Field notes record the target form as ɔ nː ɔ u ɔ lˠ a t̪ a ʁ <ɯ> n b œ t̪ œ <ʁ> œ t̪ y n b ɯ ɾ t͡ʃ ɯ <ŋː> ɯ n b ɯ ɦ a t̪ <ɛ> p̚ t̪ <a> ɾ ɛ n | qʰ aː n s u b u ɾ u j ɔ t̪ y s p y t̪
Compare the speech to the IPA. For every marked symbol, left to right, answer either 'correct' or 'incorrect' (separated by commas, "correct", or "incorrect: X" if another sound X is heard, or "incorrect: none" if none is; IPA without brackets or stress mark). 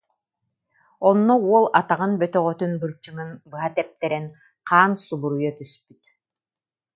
correct, correct, incorrect: ŋ, correct, incorrect: ɛ